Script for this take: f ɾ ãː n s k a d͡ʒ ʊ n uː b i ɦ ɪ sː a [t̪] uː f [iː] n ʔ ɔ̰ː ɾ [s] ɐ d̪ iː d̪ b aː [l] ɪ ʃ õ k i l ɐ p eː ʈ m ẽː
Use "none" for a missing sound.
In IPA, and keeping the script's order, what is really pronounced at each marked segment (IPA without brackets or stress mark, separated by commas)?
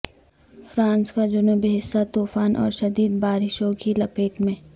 t̪, aː, ʃ, ɾ